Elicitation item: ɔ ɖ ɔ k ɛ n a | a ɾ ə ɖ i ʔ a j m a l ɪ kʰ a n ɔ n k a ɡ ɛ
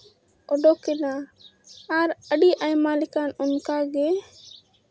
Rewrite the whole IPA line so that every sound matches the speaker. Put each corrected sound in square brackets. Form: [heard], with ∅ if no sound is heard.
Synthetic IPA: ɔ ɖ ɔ k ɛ n a | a ɾ ə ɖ i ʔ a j m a l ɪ [k] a n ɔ n k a ɡ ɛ